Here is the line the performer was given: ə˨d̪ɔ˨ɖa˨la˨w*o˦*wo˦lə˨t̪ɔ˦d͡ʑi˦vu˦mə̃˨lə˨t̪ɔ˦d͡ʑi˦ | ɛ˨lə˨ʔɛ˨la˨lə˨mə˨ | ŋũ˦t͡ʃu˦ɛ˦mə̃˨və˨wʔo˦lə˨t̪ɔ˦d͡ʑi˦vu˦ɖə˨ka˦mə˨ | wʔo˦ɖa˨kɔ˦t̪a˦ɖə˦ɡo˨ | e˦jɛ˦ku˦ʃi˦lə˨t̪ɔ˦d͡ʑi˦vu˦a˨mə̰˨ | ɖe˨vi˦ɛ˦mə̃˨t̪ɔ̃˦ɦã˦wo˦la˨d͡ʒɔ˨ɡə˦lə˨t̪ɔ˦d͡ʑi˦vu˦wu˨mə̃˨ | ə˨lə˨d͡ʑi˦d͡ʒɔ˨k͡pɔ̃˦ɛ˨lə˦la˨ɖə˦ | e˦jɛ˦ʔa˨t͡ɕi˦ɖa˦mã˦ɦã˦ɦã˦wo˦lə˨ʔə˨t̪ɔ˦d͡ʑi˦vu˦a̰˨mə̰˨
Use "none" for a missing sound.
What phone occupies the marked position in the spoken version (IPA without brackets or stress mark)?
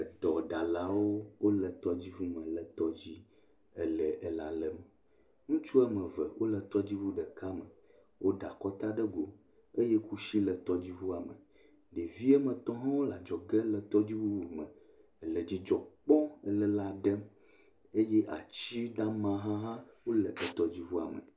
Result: o˦